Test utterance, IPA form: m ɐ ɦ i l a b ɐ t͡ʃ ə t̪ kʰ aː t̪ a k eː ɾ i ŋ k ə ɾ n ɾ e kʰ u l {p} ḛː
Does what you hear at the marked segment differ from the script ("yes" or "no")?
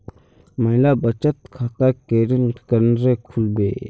yes